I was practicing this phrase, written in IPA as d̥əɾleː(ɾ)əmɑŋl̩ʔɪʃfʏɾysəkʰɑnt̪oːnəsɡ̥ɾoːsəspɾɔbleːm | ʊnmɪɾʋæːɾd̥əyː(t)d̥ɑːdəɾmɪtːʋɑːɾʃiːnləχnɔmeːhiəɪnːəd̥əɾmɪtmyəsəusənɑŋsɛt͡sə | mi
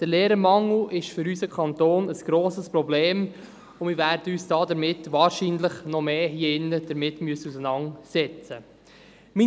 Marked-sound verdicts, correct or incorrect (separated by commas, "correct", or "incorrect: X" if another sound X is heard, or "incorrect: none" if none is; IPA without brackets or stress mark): correct, incorrect: s